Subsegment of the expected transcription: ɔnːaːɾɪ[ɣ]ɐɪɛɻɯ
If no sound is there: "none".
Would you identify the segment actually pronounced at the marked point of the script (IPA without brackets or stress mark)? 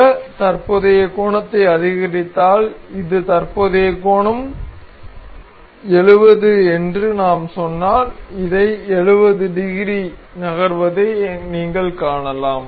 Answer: ð